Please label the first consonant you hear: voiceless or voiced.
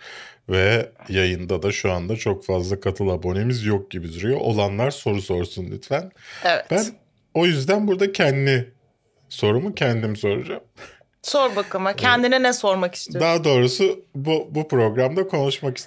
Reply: voiced